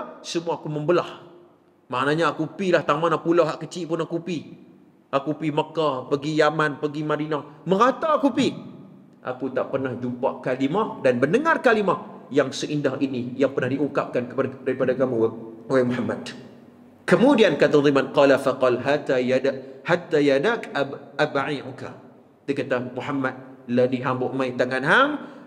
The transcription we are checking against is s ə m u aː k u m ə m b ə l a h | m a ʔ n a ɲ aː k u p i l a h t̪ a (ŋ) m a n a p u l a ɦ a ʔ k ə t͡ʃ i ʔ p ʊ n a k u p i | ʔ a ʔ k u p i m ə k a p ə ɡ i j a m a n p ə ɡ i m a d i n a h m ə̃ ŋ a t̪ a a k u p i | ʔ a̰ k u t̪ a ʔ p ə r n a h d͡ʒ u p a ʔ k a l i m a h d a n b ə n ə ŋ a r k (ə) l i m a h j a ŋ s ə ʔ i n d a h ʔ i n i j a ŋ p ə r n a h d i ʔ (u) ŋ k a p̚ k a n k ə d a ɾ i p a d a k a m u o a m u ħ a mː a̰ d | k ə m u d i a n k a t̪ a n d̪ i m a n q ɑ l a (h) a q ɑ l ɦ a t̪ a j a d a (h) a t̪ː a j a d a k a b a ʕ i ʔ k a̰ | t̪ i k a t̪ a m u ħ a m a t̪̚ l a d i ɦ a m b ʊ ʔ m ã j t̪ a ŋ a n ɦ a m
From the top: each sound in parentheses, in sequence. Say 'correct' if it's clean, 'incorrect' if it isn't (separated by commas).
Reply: correct, incorrect, correct, incorrect, correct